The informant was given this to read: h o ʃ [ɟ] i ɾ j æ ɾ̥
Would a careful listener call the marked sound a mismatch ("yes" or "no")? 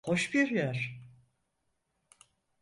yes